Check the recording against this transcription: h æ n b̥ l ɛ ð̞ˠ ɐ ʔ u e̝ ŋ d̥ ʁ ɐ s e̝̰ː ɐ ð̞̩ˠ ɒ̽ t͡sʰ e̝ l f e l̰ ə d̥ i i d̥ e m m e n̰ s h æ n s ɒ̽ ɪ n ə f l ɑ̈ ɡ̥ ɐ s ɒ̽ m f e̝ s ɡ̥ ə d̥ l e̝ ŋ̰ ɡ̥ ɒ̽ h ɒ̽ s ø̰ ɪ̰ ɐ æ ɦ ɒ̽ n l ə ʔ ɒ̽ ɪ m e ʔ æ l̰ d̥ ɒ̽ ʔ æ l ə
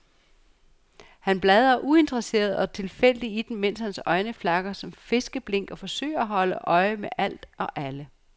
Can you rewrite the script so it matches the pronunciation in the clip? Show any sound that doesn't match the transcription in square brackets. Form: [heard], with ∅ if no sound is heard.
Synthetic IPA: h æ n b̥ l ɛ ð̞ˠ ɐ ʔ u e̝ [n] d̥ ʁ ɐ s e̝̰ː ɐ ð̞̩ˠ ɒ̽ t͡sʰ e̝ l f e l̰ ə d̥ i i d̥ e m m e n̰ s h æ n s ɒ̽ ɪ n ə f l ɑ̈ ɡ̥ ɐ s ɒ̽ m f e̝ s ɡ̥ ə [b̥] l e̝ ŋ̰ ɡ̥ ɒ̽ [f] ɒ̽ s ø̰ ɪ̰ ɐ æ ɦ ɒ̽ [∅] l ə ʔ ɒ̽ ɪ m e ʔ æ l̰ d̥ ɒ̽ ʔ æ l ə

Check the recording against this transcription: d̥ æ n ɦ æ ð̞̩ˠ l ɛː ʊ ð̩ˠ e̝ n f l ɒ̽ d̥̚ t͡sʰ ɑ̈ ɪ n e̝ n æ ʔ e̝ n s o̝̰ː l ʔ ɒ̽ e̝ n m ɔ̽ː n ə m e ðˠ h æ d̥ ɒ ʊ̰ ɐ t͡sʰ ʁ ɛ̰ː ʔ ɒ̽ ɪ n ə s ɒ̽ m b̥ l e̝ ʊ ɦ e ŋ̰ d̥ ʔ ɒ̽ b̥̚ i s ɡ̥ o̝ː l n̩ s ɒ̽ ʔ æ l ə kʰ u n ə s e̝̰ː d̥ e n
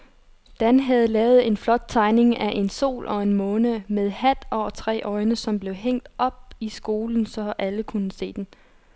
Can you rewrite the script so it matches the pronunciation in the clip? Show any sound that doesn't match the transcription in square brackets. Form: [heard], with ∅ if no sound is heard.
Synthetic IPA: d̥ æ n ɦ æ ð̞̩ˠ l ɛː ʊ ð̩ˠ e̝ n f l ɒ̽ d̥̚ t͡sʰ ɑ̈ ɪ n e̝ [ŋ] æ ʔ e̝ n s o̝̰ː l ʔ ɒ̽ e̝ n m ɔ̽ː n ə m e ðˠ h æ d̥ ɒ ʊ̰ ɐ t͡sʰ ʁ ɛ̰ː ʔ ɒ̽ ɪ n ə s ɒ̽ m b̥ l e̝ ʊ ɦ e ŋ̰ d̥ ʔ ɒ̽ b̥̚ i s ɡ̥ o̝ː l n̩ s ɒ̽ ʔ æ l ə kʰ u n ə s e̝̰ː d̥ e n

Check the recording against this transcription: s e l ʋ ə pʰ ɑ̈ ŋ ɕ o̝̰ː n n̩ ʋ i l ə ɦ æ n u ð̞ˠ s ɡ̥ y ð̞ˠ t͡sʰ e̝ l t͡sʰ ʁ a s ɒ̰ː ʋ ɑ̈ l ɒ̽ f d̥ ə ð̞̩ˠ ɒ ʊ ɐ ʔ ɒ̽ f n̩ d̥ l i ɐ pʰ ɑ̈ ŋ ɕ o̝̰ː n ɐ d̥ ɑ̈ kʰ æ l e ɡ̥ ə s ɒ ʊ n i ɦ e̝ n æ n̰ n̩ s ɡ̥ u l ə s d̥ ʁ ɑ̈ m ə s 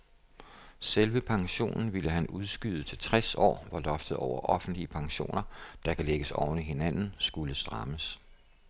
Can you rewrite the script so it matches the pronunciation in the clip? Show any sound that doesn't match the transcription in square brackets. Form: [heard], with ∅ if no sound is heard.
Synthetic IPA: s e l ʋ ə pʰ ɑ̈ ŋ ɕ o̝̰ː n n̩ ʋ i l ə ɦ æ n u ð̞ˠ s ɡ̥ y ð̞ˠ t͡sʰ e̝ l t͡sʰ ʁ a s ɒ̰ː ʋ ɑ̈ l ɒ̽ f d̥ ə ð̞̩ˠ ɒ ʊ ɐ ʔ ɒ̽ f n̩ d̥ l i [ə] pʰ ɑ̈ ŋ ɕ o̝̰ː n ɐ d̥ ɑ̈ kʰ æ l e ɡ̥ ə s ɒ ʊ n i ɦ e̝ n æ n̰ n̩ s ɡ̥ u l ə s d̥ ʁ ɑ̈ m ə s

